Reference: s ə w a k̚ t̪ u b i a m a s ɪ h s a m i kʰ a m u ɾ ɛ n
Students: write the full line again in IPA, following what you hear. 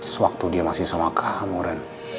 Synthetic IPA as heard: s ə w a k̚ t̪ u d i a m a s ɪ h s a m a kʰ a m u ɾ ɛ n